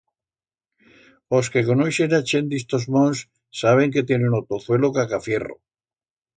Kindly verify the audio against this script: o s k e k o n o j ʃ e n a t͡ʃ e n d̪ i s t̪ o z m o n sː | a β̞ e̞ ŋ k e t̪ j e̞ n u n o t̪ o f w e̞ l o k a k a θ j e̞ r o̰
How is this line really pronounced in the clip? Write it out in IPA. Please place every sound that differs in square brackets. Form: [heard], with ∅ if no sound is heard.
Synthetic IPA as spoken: o s k e k o n o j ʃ e n a t͡ʃ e n d̪ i s t̪ o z m o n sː | a β̞ e̞ ŋ k e t̪ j e̞ n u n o t̪ o [θ] w e̞ l o k a k a [f] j e̞ r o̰